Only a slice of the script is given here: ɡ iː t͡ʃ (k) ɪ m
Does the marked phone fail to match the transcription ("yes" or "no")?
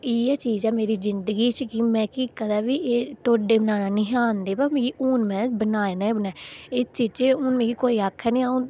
no